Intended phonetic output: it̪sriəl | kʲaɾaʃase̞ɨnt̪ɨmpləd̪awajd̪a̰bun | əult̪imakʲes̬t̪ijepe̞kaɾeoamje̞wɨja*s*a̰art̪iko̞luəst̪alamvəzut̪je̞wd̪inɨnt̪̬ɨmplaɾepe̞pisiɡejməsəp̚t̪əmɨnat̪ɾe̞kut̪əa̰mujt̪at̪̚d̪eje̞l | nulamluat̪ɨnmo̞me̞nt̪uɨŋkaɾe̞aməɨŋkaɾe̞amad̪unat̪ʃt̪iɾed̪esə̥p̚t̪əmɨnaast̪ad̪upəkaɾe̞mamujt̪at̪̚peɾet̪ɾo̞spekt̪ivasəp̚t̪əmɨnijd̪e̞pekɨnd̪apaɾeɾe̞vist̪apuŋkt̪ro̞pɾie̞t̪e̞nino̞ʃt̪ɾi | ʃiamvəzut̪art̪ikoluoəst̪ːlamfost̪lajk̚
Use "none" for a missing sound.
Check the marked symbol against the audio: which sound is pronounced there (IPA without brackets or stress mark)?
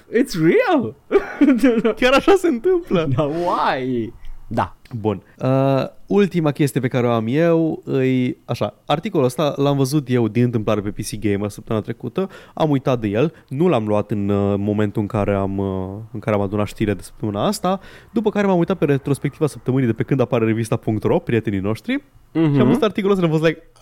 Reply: ʃ